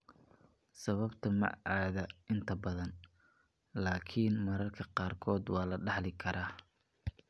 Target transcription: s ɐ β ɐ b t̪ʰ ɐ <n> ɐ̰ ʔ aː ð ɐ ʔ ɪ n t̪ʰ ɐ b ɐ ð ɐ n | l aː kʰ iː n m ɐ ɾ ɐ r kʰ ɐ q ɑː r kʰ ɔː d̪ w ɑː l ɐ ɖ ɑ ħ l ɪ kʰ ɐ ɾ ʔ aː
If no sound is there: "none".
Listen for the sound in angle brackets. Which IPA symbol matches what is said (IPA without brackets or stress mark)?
m